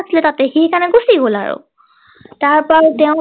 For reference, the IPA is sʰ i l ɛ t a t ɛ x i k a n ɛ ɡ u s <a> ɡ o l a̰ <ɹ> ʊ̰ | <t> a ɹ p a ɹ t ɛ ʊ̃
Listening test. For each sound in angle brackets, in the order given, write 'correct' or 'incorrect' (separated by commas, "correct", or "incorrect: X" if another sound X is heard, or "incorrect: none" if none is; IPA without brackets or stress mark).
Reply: incorrect: i, correct, correct